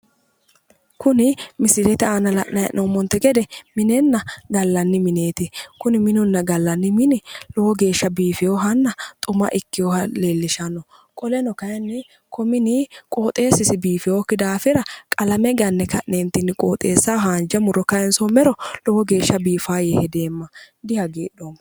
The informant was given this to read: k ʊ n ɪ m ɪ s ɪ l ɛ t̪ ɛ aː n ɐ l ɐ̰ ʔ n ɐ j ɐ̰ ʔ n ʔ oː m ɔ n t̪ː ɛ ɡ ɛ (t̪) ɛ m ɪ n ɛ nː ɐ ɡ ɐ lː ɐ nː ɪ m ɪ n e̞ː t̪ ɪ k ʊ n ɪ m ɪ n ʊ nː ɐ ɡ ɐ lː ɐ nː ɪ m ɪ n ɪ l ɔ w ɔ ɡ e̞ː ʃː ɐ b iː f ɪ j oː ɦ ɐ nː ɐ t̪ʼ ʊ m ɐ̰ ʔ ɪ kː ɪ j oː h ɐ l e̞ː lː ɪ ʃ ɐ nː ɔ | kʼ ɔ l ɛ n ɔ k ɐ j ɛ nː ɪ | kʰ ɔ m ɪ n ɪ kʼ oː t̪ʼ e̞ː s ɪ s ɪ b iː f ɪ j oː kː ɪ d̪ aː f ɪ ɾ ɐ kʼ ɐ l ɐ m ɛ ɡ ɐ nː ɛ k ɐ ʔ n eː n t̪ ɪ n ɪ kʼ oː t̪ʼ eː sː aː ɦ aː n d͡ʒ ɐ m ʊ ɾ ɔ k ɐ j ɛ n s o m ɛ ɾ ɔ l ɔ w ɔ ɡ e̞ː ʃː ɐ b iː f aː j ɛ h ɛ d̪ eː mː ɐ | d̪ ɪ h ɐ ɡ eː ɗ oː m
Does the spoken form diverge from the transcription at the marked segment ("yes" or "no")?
yes